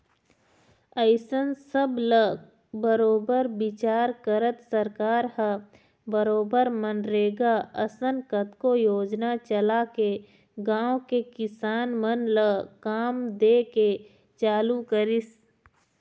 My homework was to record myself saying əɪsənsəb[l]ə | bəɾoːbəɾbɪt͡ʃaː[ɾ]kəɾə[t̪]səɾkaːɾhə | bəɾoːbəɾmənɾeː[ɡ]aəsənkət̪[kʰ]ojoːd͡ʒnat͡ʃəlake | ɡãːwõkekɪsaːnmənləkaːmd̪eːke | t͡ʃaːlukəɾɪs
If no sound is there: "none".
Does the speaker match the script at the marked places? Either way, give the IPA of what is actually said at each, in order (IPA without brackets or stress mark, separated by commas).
l, ɾ, t̪, ɡ, k